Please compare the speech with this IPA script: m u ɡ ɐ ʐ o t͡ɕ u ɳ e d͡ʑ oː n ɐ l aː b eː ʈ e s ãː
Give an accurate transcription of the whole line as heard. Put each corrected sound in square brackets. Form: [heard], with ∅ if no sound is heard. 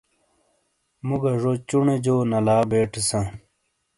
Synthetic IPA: m u ɡ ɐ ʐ o t͡ɕ u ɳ e d͡ʑ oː n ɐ l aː b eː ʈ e s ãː

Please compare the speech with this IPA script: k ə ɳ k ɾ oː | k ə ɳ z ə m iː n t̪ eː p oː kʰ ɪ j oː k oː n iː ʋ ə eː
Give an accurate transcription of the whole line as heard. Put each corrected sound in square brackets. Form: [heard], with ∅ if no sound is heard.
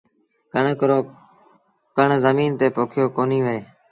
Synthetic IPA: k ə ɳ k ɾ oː | k ə ɳ z ə m iː n t̪ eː p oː kʰ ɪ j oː k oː n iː ʋ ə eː

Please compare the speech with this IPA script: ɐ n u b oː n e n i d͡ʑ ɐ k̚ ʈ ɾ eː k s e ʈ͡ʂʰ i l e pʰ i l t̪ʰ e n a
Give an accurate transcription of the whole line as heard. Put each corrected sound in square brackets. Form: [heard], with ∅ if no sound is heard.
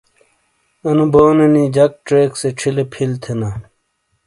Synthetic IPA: ɐ n u b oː n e n i d͡ʑ ɐ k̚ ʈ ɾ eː k s e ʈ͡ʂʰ i l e pʰ i l t̪ʰ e n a

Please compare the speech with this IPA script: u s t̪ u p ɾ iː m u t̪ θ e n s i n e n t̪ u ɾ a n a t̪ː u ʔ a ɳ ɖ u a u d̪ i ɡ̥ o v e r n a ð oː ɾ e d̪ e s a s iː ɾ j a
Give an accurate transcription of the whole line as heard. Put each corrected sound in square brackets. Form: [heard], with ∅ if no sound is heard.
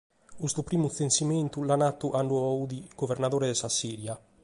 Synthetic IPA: u s t̪ u p ɾ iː m u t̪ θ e n s i [m] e n t̪ u [l] a n a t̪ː u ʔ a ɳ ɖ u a u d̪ i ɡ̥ o v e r n a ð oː ɾ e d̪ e s a s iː ɾ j a

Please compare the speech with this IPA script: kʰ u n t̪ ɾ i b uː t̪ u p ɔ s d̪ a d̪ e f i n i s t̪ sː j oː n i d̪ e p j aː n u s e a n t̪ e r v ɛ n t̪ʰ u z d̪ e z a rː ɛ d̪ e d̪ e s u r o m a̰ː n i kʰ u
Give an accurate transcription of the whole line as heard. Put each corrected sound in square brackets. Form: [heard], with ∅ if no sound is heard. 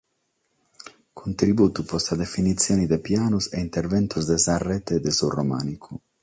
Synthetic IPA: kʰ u n t̪ ɾ i b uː t̪ u p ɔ s [t̪] a d̪ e f i n i [∅] t̪ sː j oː n i d̪ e p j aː n u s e [i] n t̪ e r v ɛ n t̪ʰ u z d̪ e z a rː ɛ [t̪] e d̪ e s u r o m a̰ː n i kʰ u

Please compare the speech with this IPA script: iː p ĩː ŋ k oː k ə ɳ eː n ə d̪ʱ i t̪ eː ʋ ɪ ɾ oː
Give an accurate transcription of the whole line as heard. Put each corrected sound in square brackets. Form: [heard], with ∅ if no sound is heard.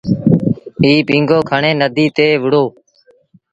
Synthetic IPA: iː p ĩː ŋ [ɡ] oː [kʰ] ə ɳ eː n ə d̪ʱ [iː] t̪ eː ʋ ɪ [ɽ] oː

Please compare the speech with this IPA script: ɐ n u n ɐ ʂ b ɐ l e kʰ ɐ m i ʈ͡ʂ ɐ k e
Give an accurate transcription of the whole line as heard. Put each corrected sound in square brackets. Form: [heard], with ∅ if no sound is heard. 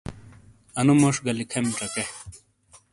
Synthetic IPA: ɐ n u [m] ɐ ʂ [ɡ] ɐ l [i] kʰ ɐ m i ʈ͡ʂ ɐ k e

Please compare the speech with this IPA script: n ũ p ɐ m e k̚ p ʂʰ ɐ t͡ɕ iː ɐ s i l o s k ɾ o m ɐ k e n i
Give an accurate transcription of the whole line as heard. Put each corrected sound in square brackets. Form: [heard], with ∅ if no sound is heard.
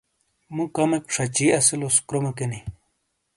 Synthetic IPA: [m] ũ [k] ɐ m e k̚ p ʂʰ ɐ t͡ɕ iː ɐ s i l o s k ɾ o m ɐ k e n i

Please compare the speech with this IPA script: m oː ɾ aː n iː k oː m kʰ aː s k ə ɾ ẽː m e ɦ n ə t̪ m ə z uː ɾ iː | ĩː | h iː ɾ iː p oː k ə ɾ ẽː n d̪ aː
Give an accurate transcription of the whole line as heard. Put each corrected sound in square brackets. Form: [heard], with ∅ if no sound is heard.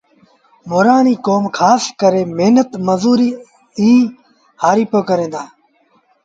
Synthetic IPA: m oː ɾ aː n iː k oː m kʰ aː s k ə ɾ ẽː m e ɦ n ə t̪ m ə z uː ɾ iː | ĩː | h [aː] ɾ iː p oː k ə ɾ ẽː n d̪ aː

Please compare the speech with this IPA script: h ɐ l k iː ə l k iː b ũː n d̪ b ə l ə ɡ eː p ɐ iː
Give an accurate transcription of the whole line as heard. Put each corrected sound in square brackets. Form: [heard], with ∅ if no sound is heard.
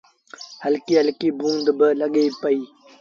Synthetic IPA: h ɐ l k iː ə l k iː b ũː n d̪ b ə l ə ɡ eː p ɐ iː

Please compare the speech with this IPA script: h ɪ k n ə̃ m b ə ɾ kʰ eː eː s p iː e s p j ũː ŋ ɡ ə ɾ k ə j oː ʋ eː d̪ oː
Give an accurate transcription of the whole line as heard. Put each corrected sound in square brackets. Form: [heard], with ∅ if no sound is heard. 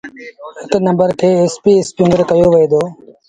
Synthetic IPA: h ɪ k n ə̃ m b ə ɾ kʰ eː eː s p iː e s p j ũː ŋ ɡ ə ɾ k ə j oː ʋ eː d̪ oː

